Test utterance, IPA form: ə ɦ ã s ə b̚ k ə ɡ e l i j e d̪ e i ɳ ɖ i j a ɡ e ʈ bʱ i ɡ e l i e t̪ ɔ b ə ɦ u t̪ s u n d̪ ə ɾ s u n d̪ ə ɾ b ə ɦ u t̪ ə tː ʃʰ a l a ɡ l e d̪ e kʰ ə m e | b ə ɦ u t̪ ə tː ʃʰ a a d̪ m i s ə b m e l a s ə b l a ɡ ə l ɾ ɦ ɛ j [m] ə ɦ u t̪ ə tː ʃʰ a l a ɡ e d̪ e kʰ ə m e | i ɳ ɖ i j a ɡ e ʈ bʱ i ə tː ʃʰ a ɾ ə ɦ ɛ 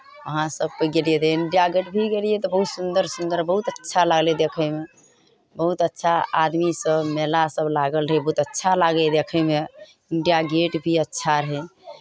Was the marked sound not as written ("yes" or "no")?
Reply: yes